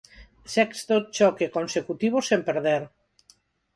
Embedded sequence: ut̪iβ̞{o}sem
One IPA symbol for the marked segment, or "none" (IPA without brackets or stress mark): o